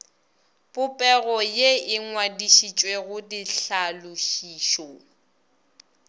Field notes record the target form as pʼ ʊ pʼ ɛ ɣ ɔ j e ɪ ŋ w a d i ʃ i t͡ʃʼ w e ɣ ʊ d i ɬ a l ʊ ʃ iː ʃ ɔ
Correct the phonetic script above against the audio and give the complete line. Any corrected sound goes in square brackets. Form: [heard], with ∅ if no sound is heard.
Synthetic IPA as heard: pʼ ʊ pʼ ɛ ɣ ɔ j e ɪ ŋ w a d i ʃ i t͡ʃʼ w e ɣ ʊ d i ɬ a l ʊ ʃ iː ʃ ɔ